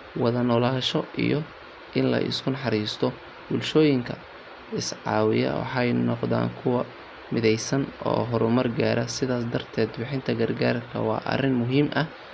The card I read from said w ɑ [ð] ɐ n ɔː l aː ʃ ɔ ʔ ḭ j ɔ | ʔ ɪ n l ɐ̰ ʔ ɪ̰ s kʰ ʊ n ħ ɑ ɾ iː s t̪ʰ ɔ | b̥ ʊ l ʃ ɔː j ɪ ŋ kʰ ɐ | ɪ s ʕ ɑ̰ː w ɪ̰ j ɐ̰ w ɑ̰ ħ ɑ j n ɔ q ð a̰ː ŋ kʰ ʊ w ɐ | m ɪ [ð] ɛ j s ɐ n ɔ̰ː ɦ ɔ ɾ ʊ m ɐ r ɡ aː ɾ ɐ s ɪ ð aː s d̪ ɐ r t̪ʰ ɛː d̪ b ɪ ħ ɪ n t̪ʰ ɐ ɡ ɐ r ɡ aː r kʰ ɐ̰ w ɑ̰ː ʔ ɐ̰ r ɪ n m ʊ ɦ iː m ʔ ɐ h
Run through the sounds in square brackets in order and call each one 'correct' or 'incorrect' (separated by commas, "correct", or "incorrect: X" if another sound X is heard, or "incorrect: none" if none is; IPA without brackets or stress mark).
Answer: correct, correct